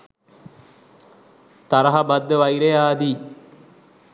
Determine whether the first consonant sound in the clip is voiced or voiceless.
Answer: voiceless